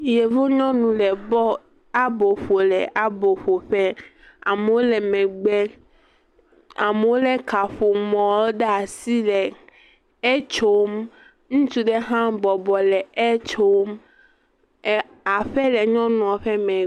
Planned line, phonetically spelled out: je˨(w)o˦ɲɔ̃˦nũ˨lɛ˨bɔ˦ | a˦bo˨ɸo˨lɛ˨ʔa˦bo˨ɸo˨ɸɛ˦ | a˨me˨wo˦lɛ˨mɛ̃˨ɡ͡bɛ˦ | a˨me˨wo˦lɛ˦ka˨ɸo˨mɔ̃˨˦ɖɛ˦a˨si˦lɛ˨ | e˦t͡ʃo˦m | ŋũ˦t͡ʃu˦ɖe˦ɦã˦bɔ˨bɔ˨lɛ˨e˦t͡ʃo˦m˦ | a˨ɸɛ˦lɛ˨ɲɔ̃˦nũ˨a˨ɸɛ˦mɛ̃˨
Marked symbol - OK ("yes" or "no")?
no